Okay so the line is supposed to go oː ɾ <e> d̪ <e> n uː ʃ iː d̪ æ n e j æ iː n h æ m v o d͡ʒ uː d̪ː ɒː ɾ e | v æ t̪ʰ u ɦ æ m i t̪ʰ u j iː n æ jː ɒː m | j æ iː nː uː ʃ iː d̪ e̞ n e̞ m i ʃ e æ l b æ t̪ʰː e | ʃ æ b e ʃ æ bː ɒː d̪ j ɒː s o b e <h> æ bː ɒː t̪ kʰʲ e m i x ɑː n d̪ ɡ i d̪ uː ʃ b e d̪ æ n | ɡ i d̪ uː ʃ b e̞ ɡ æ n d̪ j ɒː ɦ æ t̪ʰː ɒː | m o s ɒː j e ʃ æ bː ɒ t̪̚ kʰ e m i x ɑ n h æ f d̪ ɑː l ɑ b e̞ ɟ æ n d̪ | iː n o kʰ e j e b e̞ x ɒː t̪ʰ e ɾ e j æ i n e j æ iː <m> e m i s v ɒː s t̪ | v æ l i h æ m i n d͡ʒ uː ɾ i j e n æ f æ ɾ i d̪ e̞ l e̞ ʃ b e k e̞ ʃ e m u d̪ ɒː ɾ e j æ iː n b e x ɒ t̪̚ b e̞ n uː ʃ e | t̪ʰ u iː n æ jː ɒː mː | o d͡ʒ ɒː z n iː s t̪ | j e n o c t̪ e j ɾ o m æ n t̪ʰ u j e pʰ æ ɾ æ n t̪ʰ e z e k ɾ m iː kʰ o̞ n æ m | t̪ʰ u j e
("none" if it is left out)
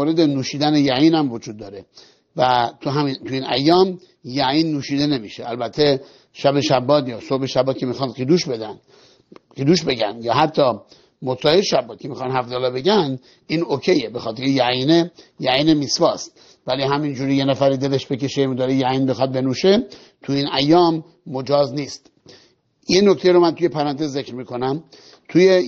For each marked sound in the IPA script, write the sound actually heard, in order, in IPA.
e, e, ʃ, n

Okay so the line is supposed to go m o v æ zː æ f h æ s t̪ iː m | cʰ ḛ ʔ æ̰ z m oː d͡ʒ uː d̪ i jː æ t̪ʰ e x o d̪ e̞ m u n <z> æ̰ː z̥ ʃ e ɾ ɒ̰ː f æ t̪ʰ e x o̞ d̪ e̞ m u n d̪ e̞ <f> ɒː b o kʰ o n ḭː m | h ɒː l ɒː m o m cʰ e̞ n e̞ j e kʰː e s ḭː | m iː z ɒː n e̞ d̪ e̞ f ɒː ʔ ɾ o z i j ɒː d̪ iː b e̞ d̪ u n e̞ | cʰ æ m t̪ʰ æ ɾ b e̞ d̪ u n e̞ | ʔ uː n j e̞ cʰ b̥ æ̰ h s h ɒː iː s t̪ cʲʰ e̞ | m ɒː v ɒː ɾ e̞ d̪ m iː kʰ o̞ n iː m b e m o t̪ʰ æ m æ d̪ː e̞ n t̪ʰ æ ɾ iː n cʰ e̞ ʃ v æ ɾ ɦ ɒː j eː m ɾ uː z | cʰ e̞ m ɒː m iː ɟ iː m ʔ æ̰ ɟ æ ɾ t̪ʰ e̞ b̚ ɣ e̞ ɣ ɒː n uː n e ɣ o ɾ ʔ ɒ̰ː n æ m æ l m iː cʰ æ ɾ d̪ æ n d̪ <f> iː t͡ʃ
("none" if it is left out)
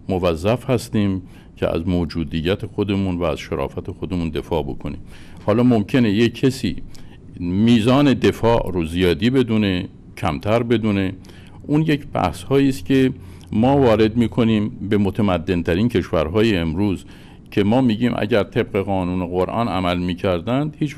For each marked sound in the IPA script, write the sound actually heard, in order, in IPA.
v, f, h

